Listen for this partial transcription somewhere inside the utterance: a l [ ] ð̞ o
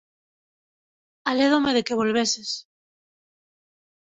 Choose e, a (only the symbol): e